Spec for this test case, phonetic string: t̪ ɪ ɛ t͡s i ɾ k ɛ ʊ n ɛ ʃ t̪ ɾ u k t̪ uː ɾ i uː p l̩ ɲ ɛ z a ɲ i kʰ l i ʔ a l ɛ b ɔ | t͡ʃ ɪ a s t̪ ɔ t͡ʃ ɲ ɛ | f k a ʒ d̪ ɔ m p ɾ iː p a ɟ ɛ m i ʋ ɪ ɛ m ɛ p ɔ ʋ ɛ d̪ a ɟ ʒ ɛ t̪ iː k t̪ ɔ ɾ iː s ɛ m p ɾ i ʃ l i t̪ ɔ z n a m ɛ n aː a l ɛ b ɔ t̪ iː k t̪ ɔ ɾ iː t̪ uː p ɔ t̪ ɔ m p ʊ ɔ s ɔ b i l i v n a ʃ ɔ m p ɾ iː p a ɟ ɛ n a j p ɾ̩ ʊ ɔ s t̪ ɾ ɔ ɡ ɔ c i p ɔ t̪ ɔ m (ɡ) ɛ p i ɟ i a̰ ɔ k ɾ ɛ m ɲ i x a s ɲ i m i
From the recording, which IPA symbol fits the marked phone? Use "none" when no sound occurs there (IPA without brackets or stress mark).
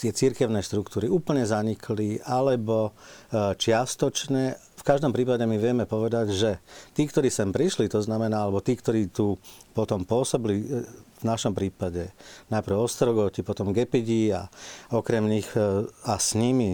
ɡ